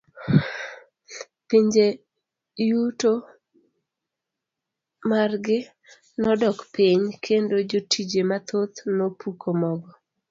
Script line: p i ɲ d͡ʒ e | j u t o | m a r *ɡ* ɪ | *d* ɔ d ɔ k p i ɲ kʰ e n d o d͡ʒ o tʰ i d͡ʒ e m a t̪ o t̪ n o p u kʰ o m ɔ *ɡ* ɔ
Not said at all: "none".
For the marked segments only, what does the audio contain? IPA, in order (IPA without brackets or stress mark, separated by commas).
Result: ɡ, n, ɡ